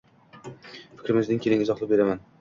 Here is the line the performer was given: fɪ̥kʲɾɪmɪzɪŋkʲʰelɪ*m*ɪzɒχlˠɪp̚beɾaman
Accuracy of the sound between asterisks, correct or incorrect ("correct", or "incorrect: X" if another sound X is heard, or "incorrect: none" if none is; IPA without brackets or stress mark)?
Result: incorrect: ŋ